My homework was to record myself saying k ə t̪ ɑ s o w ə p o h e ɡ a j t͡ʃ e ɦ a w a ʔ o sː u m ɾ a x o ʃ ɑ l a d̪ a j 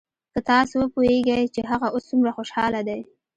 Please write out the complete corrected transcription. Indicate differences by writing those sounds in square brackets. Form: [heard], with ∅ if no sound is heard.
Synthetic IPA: k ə t̪ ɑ s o w ə p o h e ɡ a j t͡ʃ e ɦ a [ɣ] a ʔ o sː u m ɾ a x o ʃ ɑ l a d̪ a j